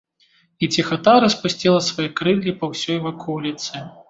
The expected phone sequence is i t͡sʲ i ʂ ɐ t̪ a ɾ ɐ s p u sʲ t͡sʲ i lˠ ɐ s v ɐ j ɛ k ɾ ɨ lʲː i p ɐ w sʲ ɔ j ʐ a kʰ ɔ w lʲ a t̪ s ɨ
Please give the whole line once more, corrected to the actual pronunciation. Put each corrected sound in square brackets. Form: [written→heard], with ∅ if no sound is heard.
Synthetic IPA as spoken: i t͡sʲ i [ʂ→x] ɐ t̪ a ɾ ɐ s p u sʲ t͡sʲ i lˠ ɐ s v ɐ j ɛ k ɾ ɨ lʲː i p ɐ w sʲ ɔ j [ʐ→v] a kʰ ɔ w lʲ [a→i] t̪ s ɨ